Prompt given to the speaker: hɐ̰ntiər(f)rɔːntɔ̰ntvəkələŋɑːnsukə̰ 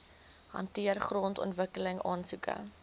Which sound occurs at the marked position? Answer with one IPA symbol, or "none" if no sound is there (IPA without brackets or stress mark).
χ